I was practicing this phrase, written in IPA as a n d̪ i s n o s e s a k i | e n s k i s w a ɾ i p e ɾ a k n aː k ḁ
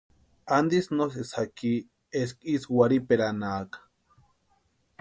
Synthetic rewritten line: a n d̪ i s n o s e s a k i | e s k i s w a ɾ i p e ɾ a n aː k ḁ